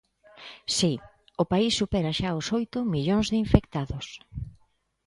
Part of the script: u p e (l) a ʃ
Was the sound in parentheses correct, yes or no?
no